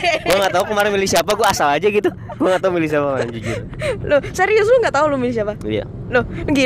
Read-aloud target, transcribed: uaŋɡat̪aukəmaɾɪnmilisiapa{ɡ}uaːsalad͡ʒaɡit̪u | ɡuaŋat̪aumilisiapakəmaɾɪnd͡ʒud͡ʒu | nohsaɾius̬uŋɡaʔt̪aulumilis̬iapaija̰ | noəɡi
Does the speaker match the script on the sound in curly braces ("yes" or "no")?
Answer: yes